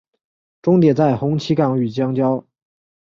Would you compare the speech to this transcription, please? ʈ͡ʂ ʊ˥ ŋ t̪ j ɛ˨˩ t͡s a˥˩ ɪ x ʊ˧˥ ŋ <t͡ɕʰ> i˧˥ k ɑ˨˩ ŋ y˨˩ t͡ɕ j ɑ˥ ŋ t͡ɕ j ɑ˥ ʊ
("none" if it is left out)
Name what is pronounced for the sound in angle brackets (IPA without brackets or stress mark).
t͡ɕʰ